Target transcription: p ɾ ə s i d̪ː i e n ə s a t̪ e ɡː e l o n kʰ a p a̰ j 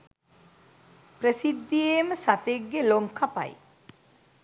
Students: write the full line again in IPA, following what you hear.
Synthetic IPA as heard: p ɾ ə s i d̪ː i e m ə s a t̪ e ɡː e l o ŋ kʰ a p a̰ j